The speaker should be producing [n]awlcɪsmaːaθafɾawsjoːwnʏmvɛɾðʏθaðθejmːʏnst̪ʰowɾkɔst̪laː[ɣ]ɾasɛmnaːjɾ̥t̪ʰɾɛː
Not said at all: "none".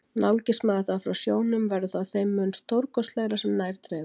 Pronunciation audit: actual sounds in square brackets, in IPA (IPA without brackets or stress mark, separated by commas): n, ɣ